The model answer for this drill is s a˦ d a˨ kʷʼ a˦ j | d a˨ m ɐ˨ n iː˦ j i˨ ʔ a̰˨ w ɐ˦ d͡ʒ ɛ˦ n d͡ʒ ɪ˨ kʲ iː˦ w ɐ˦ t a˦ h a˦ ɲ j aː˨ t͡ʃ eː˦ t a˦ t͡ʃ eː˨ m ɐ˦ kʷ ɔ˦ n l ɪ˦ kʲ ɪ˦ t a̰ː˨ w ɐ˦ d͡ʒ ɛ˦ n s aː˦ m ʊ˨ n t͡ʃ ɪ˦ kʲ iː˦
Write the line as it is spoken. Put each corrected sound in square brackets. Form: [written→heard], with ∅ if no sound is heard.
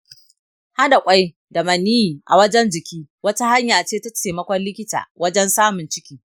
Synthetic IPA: [s→h] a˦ d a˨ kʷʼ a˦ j | d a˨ m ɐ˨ n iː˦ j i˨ ʔ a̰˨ w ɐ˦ d͡ʒ ɛ˦ n d͡ʒ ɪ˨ kʲ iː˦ w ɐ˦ t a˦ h a˦ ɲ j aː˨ t͡ʃ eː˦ t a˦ t͡ʃ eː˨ m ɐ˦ kʷ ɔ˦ n l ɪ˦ kʲ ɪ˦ t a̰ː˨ w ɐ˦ d͡ʒ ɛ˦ n s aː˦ m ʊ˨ n t͡ʃ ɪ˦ kʲ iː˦